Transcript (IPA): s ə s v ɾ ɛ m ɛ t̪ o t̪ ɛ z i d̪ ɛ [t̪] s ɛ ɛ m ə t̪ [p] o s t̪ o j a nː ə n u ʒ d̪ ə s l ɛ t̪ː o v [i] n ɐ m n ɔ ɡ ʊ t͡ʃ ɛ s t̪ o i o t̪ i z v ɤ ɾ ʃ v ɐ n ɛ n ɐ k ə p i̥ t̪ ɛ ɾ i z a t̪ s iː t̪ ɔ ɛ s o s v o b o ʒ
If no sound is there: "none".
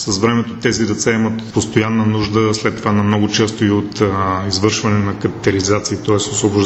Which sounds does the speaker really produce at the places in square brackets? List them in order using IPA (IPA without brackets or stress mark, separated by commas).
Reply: t̪, p, a